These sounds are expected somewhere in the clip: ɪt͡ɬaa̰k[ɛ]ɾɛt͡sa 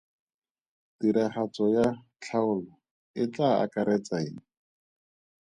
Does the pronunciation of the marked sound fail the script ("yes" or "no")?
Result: yes